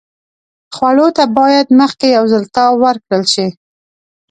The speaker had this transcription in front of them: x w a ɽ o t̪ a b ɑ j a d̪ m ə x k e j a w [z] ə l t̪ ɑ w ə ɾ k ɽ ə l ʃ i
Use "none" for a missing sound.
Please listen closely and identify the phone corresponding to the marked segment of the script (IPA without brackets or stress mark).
z